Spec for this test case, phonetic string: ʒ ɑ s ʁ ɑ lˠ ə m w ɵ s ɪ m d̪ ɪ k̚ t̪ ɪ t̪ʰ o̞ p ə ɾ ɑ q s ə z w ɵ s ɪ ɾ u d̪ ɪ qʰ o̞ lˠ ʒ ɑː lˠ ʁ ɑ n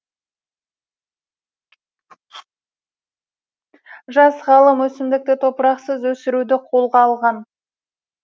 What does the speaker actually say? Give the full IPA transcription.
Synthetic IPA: ʒ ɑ s ʁ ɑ lˠ ə m w ɵ s ɪ m d̪ ɪ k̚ t̪ ɪ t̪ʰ o̞ p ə ɾ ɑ q s ə z w ɵ s ɪ ɾ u d̪ ɪ qʰ o̞ lˠ ʁ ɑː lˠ ʁ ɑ n